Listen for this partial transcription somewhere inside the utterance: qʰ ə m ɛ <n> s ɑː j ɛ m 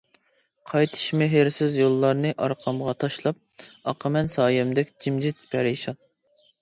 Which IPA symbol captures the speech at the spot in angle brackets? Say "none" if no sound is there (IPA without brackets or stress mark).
n